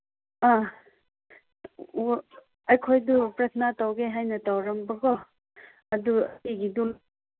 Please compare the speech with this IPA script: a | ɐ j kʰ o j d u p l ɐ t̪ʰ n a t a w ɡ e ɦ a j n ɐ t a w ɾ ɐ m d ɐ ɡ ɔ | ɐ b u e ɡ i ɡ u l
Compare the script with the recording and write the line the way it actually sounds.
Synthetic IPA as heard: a | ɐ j kʰ o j d u p ɾ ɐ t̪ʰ n a t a w ɡ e ɦ a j n ɐ t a w ɾ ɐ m b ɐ ɡ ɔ | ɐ d u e ɡ i d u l